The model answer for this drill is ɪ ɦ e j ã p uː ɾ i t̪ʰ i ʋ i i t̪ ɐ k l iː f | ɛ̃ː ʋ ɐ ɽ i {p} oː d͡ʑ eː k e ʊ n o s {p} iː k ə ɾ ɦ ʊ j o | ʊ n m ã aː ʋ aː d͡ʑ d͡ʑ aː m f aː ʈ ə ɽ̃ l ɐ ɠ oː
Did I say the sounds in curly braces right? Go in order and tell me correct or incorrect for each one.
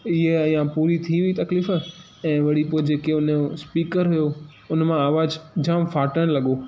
correct, correct

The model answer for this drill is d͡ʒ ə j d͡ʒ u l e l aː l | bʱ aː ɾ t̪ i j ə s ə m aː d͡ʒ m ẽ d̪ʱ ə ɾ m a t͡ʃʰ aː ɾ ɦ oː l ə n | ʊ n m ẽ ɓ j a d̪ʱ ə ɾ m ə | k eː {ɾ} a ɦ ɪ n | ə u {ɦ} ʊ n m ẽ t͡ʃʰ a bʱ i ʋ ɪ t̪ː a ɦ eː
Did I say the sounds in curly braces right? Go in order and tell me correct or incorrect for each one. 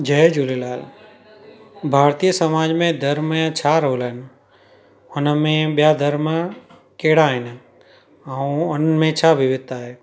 incorrect, incorrect

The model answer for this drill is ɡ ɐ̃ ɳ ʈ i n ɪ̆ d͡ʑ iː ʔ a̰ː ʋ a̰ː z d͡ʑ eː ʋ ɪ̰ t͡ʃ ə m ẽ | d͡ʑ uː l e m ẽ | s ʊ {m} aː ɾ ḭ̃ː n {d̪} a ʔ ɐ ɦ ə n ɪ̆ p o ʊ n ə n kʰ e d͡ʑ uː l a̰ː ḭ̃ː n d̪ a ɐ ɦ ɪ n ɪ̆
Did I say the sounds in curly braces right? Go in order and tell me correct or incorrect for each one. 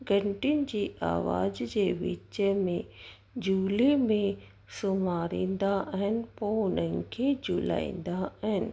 correct, correct

